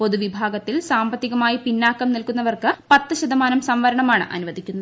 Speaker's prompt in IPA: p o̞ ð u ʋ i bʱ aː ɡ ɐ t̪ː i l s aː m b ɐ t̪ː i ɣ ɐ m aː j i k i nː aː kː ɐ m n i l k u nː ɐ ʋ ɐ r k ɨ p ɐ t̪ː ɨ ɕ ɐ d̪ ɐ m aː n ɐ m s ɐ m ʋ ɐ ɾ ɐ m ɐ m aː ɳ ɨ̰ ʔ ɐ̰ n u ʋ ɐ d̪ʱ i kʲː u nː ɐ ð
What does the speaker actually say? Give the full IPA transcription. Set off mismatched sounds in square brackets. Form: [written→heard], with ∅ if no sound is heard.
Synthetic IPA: p o̞ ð u ʋ i bʱ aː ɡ ɐ t̪ː i l s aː m b ɐ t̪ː i ɣ ɐ m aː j i [k→p] i nː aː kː ɐ m n i l k u nː ɐ ʋ ɐ r k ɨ p ɐ t̪ː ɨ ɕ ɐ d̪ ɐ m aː n ɐ m s ɐ m ʋ ɐ ɾ ɐ [m→ɳ] ɐ m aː ɳ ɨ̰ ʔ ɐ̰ n u ʋ ɐ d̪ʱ i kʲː u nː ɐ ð